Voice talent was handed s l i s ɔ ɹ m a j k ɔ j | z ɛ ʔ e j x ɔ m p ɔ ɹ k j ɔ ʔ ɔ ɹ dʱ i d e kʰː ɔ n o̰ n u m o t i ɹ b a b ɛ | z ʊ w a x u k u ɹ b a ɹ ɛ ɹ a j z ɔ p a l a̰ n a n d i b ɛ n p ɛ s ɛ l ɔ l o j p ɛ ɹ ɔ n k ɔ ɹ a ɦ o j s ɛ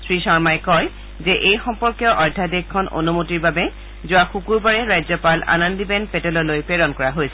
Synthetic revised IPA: s ɹ i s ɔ ɹ m a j k ɔ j | z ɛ ʔ e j x ɔ m p ɔ ɹ k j ɔ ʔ ɔ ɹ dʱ a d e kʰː ɔ n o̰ n u m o t i ɹ b a b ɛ | z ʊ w a x u k u ɹ b a ɹ ɛ ɹ a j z ɔ p a l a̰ n a n d i b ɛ n p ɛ t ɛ l ɔ l o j p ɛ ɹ ɔ n k ɔ ɹ a ɦ o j s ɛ